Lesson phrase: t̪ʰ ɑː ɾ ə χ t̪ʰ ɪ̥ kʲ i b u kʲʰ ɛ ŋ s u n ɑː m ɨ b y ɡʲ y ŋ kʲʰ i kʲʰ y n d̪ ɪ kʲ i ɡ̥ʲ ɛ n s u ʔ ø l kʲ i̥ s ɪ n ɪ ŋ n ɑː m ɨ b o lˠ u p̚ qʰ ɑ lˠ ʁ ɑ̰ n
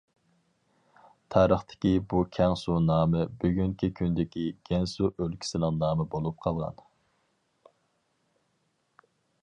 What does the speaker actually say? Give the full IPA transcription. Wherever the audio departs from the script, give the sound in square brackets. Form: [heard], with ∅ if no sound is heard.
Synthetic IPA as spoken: t̪ʰ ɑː ɾ ə χ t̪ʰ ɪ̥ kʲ i b u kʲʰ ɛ ŋ s u n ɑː m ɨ b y ɡʲ y ŋ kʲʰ i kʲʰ y n d̪ ɪ kʲ i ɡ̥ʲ ɛ n s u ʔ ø l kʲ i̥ s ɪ n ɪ ŋ n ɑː m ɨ b o lˠ u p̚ qʰ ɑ lˠ ʁ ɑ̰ n